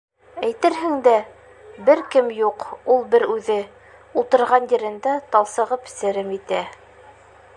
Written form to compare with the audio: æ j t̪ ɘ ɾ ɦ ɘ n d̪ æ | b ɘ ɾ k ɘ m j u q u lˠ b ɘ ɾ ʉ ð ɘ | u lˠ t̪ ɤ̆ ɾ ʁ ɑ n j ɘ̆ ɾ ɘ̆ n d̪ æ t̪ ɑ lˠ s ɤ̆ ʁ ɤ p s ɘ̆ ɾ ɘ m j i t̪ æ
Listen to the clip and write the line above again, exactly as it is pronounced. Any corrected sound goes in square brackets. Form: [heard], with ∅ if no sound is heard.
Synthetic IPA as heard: æ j t̪ ɘ ɾ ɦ ɘ [ŋ] d̪ æ | b ɘ ɾ k ɘ m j u q u lˠ b ɘ ɾ ʉ ð ɘ | u lˠ t̪ ɤ̆ ɾ ʁ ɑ n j ɘ̆ ɾ ɘ̆ n d̪ æ t̪ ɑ lˠ s ɤ̆ ʁ ɤ p s ɘ̆ ɾ ɘ m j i t̪ æ